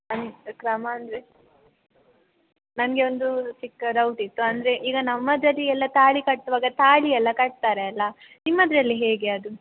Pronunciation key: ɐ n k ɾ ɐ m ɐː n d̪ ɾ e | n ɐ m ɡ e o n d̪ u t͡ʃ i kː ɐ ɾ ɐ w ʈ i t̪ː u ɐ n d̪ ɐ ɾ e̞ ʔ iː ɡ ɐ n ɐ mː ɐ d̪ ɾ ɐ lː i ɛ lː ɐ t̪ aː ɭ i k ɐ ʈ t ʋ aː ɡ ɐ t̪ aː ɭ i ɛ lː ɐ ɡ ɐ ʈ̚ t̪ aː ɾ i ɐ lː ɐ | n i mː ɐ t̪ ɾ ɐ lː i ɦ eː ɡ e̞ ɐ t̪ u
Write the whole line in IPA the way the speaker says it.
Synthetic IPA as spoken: ɐ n k ɾ ɐ m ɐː n d̪ ɾ e | n ɐ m ɡ e o n d̪ u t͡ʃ i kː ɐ ɾ ɐ w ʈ i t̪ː u ɐ n d̪ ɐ ɾ e̞ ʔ iː ɡ ɐ n ɐ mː ɐ d̪ ɾ ɐ lː i ɛ lː ɐ t̪ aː ɭ i k ɐ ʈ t ʋ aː ɡ ɐ t̪ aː ɭ i ɛ lː ɐ k ɐ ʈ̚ t̪ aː ɾ e ɐ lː ɐ | n i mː ɐ d̪ ɾ ɐ lː i ɦ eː ɡ e̞ ɐ d̪ u